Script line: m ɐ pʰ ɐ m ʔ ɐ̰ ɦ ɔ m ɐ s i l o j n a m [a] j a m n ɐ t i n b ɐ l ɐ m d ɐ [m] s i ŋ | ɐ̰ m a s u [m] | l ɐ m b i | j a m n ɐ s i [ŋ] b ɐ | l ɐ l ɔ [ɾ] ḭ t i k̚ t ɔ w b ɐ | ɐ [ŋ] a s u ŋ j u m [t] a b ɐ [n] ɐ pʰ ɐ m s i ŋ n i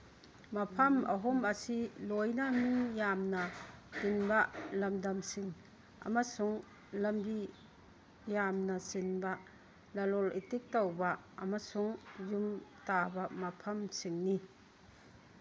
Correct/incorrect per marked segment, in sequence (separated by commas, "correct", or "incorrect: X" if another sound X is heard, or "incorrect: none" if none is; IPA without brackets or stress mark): incorrect: i, correct, incorrect: ŋ, incorrect: n, incorrect: l, incorrect: m, correct, incorrect: m